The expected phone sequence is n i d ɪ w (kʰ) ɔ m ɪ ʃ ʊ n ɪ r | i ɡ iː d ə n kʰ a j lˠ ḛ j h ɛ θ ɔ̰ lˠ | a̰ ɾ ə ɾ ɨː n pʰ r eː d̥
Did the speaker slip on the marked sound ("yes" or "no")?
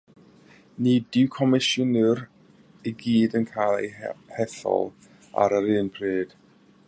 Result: no